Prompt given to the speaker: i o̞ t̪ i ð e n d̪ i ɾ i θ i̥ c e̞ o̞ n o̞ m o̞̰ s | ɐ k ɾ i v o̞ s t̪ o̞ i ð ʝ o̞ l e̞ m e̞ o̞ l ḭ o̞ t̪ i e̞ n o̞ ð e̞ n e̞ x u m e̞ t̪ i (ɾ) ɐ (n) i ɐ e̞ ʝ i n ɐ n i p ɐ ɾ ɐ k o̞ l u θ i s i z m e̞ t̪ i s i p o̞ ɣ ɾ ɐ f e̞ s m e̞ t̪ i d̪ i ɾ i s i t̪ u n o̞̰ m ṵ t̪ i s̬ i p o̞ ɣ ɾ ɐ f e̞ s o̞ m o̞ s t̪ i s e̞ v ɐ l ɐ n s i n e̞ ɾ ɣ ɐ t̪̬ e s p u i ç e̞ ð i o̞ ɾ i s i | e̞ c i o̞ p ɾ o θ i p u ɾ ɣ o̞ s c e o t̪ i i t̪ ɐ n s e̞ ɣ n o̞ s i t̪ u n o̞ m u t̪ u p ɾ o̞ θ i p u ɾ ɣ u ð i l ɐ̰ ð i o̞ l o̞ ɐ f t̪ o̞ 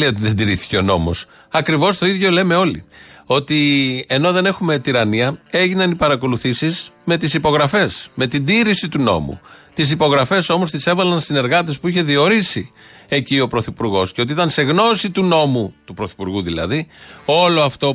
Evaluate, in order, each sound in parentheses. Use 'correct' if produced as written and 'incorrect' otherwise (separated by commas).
correct, correct